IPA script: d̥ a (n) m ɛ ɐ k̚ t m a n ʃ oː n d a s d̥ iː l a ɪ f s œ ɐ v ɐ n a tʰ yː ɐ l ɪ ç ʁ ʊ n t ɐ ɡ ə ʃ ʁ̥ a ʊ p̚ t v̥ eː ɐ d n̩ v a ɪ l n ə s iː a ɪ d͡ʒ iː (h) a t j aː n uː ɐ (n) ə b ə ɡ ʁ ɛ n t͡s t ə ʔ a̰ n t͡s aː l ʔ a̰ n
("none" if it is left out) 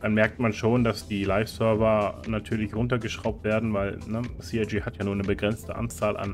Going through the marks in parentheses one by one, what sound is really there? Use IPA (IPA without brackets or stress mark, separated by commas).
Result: n, h, n